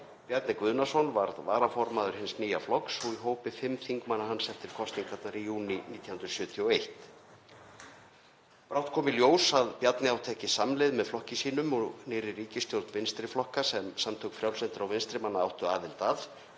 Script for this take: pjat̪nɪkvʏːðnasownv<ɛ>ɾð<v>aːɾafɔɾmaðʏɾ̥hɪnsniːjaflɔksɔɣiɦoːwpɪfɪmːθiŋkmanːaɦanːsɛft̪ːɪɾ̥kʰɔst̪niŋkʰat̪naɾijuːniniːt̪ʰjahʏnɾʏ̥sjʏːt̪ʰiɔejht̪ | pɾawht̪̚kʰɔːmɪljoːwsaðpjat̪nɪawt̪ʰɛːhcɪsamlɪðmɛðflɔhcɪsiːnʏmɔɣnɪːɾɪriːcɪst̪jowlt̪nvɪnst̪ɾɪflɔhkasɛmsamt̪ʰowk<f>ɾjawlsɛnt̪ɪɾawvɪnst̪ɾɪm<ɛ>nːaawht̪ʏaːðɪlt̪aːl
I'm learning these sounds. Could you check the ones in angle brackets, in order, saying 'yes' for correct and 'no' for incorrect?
no, yes, yes, no

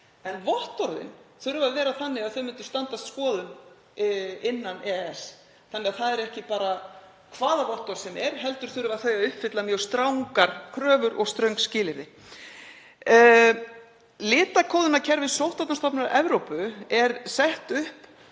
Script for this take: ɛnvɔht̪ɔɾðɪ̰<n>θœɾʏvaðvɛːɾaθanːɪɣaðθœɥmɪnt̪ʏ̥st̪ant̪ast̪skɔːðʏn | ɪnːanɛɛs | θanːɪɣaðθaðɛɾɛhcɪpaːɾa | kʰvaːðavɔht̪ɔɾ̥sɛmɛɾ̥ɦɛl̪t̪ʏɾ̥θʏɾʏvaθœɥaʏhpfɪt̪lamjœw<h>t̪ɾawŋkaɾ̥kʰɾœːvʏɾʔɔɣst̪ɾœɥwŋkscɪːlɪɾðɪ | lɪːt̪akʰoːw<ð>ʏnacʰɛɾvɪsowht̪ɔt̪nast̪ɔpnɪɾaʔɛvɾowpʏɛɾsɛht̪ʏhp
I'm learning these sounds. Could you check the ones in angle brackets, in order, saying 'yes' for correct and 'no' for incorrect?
yes, no, yes

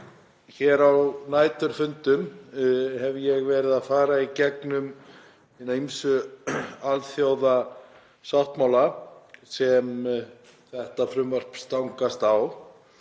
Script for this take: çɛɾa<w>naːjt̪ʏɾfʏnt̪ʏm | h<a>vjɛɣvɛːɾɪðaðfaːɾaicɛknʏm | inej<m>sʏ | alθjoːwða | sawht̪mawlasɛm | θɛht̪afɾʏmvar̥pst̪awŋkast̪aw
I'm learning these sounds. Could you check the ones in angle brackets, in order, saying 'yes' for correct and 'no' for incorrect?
yes, no, yes

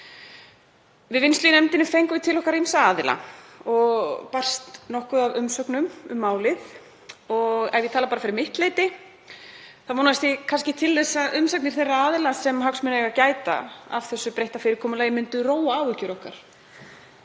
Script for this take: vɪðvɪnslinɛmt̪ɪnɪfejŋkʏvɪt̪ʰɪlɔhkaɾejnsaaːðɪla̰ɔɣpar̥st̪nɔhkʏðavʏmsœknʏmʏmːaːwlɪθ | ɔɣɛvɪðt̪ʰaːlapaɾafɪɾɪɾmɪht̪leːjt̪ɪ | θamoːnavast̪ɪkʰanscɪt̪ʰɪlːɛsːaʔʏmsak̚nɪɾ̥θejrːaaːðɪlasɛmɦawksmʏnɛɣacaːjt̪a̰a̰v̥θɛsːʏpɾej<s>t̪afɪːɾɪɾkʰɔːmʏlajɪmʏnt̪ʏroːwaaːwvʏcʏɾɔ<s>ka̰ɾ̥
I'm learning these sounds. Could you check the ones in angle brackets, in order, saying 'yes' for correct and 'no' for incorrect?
no, no

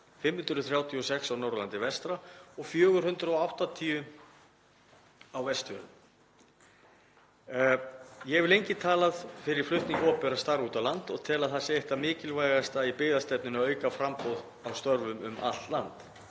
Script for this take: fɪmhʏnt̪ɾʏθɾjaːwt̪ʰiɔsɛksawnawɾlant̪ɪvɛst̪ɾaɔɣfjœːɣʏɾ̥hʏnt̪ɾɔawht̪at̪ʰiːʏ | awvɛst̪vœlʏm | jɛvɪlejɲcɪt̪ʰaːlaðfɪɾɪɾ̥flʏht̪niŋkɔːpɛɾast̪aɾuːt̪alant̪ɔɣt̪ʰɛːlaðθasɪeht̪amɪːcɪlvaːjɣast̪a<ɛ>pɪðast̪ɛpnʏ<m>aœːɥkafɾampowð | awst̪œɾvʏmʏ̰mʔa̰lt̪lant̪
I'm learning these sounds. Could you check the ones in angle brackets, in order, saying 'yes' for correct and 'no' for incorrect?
no, no

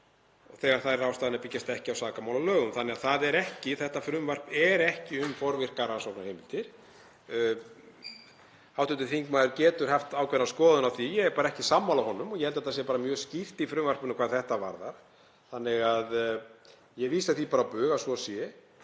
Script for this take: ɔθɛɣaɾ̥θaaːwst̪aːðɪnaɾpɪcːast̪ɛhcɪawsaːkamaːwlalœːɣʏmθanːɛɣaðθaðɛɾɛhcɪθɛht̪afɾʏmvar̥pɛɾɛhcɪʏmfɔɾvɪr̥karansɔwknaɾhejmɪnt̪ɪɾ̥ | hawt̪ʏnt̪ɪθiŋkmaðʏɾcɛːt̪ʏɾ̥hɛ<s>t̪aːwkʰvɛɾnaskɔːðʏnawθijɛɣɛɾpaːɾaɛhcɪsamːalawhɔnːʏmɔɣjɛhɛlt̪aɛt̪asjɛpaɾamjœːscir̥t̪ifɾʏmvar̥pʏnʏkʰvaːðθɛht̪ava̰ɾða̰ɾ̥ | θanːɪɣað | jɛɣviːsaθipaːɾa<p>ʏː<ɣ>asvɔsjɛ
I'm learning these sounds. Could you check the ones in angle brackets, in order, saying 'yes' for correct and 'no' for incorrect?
no, yes, yes

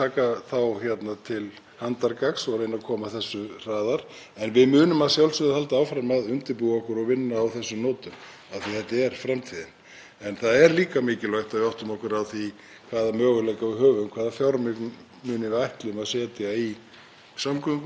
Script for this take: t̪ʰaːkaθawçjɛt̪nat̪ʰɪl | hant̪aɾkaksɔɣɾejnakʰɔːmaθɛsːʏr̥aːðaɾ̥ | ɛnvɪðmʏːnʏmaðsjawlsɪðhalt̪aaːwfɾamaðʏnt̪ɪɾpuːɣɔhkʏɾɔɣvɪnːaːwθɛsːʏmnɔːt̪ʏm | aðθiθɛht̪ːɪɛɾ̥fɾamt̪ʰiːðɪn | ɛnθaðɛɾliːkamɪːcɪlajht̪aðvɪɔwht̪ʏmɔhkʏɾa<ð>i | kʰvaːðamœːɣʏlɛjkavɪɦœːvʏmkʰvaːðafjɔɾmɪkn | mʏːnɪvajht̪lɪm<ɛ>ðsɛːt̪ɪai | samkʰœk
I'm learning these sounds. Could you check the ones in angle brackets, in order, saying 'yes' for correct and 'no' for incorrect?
no, no

